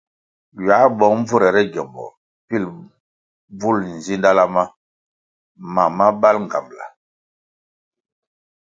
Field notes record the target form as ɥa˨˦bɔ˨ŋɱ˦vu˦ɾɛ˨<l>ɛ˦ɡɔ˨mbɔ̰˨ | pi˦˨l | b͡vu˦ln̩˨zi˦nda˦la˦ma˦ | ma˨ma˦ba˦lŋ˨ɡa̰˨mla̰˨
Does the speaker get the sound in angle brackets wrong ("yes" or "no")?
yes